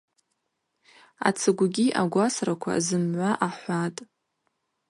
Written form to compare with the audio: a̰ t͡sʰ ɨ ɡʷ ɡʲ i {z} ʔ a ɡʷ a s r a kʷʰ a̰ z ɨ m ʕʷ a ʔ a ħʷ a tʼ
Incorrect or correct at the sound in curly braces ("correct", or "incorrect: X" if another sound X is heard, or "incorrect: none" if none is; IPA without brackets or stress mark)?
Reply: incorrect: none